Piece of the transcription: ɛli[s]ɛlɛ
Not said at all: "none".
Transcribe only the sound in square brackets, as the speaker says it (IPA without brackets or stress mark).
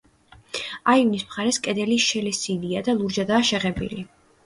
ʃ